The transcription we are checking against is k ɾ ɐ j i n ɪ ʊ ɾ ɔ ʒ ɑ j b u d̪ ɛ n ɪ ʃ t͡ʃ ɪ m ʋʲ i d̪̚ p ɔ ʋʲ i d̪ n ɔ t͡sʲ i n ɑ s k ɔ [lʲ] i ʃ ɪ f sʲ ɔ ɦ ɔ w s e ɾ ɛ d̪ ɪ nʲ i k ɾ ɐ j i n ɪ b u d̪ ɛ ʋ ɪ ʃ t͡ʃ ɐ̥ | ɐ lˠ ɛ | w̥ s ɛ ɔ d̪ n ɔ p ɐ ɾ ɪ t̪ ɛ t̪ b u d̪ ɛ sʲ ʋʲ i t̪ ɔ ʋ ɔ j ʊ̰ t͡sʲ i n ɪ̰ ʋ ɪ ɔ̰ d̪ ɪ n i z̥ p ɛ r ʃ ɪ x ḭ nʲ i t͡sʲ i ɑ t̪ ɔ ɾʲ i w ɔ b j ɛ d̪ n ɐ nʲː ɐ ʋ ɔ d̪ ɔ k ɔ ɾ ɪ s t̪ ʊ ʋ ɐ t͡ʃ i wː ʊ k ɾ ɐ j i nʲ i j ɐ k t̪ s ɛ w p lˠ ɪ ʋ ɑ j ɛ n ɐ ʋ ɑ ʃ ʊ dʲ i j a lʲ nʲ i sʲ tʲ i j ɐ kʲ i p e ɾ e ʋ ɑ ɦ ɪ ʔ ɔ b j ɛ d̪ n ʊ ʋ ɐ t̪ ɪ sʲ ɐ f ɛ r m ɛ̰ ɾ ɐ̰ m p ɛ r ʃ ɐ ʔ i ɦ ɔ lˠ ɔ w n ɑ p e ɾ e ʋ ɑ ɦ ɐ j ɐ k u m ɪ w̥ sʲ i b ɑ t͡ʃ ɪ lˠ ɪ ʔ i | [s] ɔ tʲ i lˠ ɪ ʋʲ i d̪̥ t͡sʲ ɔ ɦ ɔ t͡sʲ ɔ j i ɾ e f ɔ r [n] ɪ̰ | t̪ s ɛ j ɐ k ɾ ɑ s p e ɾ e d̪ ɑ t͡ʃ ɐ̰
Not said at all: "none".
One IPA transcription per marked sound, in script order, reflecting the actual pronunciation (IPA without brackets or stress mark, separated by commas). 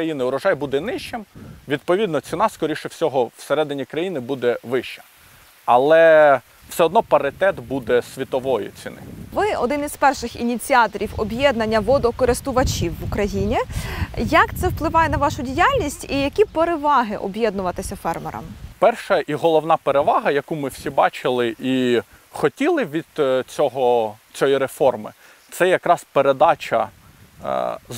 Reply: ɾʲ, x, m